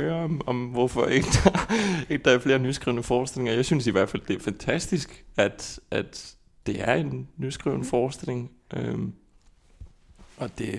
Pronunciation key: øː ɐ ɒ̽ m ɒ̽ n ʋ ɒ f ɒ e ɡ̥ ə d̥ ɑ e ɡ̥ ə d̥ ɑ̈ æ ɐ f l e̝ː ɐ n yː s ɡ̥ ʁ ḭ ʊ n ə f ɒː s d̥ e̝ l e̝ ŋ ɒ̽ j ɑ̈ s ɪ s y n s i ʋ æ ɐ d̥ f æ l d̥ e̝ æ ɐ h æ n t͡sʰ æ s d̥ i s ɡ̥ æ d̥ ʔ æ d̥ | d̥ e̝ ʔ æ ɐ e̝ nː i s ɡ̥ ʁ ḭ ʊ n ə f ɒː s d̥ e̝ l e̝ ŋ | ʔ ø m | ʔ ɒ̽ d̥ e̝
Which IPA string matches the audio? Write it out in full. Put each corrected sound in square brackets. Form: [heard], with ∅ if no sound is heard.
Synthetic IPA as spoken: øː ɐ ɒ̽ m ɒ̽ [m] ʋ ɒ f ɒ e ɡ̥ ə d̥ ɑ e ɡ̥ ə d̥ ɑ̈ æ ɐ f l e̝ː ɐ n [y] s ɡ̥ ʁ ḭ ʊ n ə f ɒː s d̥ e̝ l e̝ ŋ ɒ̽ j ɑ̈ [∅] ɪ s y n s i ʋ æ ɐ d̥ f æ l d̥ e̝ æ ɐ [f] æ n t͡sʰ æ s d̥ i s ɡ̥ æ d̥ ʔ æ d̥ | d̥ e̝ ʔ æ ɐ e̝ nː [y] s ɡ̥ ʁ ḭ ʊ n ə f ɒː s d̥ e̝ l e̝ ŋ | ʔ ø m | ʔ ɒ̽ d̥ e̝